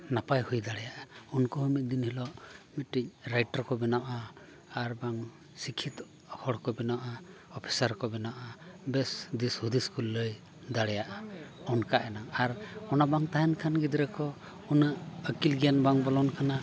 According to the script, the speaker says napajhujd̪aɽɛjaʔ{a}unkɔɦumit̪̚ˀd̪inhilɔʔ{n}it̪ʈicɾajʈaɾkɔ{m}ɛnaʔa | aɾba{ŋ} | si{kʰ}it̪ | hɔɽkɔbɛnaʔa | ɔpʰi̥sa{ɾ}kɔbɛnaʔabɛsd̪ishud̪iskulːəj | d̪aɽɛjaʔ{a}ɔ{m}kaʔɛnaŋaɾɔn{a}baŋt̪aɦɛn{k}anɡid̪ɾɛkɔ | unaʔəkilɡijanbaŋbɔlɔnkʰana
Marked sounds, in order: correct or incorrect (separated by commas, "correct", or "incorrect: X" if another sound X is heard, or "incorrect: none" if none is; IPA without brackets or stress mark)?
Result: correct, incorrect: m, incorrect: b, correct, correct, correct, correct, incorrect: n, correct, incorrect: kʰ